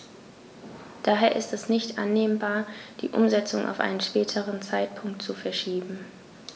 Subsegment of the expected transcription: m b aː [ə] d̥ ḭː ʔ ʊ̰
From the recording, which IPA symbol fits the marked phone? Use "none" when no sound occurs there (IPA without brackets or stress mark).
ɐ